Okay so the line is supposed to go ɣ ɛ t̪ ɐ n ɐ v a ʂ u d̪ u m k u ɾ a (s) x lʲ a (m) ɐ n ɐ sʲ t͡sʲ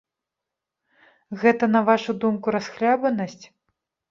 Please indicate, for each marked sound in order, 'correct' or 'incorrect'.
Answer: correct, incorrect

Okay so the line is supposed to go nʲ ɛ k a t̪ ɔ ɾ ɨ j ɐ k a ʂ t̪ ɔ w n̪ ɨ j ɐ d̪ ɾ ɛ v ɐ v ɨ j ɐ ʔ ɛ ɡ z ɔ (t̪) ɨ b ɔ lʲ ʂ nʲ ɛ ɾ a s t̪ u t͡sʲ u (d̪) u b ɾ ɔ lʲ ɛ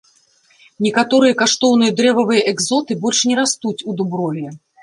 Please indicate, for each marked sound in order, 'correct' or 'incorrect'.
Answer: correct, correct

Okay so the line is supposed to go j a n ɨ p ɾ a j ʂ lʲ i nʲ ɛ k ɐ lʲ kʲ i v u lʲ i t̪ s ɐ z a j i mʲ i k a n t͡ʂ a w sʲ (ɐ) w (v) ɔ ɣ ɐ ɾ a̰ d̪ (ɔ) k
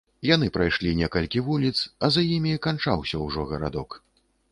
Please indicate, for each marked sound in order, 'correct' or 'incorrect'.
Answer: correct, incorrect, correct

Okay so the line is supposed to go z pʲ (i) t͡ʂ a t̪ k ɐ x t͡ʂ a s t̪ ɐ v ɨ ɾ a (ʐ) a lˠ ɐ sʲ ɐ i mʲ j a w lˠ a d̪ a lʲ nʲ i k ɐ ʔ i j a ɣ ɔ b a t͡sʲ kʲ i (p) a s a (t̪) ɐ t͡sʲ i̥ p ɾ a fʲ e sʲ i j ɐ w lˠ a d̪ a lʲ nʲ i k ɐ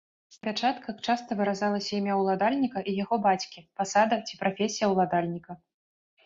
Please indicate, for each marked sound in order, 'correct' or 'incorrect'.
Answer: incorrect, incorrect, correct, incorrect

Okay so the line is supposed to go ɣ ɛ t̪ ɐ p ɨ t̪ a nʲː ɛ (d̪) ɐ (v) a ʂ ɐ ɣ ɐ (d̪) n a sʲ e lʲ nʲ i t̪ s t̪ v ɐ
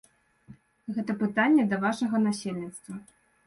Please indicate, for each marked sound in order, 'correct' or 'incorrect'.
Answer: correct, correct, incorrect

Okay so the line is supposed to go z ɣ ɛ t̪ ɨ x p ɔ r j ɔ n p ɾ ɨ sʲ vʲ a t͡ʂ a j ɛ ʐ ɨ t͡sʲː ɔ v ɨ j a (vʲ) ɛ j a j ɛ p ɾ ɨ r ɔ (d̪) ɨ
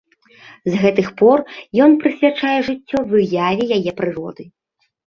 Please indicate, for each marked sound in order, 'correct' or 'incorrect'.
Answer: correct, correct

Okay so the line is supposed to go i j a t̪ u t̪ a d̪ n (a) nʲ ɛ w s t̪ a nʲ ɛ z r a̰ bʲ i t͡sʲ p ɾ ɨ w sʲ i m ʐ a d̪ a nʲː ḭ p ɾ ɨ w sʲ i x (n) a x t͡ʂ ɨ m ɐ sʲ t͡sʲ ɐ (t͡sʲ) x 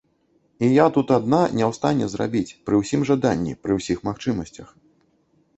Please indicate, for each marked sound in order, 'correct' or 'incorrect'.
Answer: correct, incorrect, incorrect

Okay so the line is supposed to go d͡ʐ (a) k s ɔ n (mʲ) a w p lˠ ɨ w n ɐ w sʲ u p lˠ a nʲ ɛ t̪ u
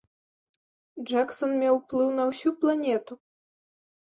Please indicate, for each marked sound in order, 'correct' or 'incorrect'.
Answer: correct, correct

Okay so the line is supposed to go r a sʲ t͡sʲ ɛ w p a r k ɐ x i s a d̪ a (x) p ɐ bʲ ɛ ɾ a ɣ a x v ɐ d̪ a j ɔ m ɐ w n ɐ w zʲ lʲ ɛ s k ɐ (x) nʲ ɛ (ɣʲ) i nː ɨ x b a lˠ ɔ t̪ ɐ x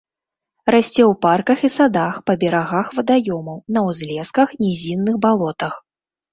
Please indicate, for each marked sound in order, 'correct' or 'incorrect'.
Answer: correct, correct, incorrect

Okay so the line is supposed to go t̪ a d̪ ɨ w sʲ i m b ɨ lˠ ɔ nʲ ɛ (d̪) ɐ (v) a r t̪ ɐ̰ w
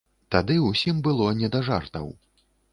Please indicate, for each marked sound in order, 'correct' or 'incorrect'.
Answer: correct, incorrect

